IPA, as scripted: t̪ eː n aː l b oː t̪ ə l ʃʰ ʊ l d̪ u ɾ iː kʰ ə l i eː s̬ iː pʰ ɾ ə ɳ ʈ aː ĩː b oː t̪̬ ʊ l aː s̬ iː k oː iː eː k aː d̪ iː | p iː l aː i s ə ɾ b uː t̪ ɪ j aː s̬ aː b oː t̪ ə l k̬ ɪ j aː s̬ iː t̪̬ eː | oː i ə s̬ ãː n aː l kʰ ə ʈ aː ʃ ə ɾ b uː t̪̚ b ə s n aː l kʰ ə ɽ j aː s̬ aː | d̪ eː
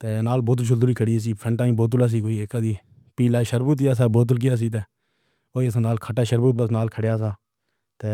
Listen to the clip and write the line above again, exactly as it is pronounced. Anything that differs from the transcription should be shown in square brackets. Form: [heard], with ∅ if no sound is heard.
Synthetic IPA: t̪ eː n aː l b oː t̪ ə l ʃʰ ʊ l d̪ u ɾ iː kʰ ə [ɽ] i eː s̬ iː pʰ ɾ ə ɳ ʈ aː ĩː b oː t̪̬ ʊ l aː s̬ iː k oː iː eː k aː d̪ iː | p iː l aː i [ʃ] ə ɾ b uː t̪ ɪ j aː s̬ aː b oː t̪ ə l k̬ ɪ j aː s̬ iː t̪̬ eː | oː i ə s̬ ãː n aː l kʰ ə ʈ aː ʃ ə ɾ b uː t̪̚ b ə s n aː l kʰ ə ɽ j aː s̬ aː | [t̪] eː

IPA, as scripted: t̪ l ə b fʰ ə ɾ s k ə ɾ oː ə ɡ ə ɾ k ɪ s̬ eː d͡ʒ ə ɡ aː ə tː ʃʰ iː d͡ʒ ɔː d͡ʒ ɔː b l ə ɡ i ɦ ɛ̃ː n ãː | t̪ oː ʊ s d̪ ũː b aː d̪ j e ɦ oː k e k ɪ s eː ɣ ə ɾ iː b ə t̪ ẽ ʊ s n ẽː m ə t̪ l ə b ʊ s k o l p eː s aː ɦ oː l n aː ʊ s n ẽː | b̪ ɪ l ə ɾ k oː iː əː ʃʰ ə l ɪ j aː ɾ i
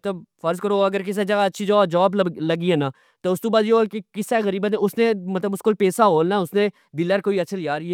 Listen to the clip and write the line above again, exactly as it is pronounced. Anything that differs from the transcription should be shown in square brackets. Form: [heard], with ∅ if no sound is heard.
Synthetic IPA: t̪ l ə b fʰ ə ɾ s k ə ɾ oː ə ɡ ə ɾ k ɪ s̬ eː d͡ʒ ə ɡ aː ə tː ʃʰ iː d͡ʒ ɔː d͡ʒ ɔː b l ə ɡ i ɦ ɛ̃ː n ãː | t̪ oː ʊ s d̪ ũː b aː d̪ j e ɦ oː k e k ɪ s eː ɣ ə ɾ iː b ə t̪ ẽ ʊ s n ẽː m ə t̪ l ə b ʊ s k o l p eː s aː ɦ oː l n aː ʊ s n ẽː | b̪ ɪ l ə ɾ k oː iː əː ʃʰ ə l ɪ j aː ɾ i

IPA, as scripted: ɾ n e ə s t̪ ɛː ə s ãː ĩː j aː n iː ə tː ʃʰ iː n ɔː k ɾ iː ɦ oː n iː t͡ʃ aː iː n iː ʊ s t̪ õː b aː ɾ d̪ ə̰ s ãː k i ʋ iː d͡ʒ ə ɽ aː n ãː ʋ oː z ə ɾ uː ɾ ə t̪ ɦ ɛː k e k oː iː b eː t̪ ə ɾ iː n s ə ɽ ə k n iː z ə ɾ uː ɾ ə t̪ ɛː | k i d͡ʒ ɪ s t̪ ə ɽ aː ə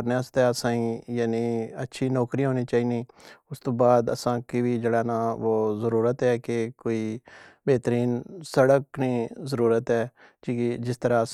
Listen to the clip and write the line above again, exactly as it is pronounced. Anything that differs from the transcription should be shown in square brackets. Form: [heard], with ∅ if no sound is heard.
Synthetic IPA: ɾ n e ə s t̪ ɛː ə s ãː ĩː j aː n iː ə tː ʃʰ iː n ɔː k ɾ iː ɦ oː n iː t͡ʃ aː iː n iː ʊ s t̪ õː b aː [∅] d̪ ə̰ s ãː k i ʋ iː d͡ʒ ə ɽ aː n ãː ʋ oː z ə ɾ uː ɾ ə t̪ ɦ ɛː k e k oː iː b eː t̪ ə ɾ iː n s ə ɽ ə k n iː z ə ɾ uː ɾ ə t̪ ɛː | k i d͡ʒ ɪ s t̪ ə [ɾ] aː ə

